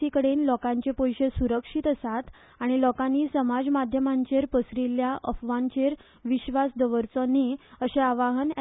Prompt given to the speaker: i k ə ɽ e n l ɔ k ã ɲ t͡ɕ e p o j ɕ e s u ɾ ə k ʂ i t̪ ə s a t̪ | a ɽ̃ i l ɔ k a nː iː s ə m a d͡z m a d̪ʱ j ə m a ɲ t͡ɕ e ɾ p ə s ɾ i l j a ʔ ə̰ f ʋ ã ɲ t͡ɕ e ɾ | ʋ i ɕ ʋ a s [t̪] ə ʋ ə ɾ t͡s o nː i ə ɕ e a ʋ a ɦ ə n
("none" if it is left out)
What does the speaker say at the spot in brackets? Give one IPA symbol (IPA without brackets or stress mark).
d̪